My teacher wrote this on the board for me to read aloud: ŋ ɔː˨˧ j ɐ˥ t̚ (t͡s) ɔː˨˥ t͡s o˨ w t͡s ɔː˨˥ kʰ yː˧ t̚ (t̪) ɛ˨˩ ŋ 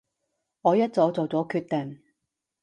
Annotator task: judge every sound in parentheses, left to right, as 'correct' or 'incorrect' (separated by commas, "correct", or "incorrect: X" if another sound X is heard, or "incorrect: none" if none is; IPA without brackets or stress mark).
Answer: correct, correct